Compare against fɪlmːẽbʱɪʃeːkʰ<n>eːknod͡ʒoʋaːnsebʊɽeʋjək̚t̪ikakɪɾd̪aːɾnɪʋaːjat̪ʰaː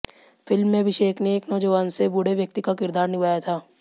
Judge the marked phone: correct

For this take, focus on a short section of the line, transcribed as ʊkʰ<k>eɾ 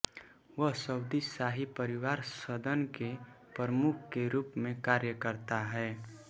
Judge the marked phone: correct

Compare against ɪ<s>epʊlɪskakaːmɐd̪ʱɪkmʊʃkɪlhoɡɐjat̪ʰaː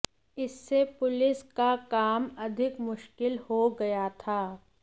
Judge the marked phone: incorrect: sː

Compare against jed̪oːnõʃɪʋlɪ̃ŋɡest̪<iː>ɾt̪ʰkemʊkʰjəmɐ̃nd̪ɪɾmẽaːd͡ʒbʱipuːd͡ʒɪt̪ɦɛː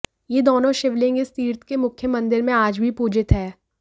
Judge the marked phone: correct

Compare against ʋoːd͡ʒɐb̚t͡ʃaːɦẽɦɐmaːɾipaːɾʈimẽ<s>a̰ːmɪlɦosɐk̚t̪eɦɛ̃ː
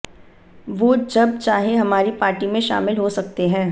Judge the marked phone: incorrect: ʃ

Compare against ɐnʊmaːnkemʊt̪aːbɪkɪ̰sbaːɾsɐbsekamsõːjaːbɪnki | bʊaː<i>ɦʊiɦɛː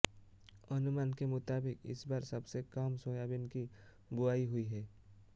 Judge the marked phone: correct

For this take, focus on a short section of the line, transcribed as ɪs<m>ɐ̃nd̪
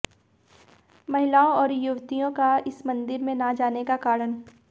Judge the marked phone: correct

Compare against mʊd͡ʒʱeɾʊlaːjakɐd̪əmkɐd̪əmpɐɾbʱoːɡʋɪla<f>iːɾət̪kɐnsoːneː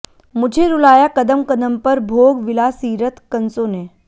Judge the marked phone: incorrect: s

